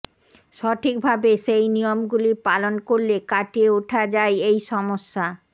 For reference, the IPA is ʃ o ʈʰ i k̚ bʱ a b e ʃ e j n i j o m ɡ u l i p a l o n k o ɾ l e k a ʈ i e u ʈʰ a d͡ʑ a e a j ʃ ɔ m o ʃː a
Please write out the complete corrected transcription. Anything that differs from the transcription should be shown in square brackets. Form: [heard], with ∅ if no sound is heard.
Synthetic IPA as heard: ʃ [ɔ] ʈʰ i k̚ bʱ a b e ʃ e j n i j o m ɡ u l i p a l o n k o ɾ l e k a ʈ i e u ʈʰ a d͡ʑ a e [e] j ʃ ɔ m o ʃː a